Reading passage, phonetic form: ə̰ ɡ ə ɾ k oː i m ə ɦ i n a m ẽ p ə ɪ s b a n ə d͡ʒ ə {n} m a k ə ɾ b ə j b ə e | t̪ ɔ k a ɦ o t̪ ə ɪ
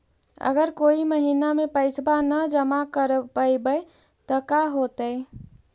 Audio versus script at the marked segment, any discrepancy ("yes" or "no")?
yes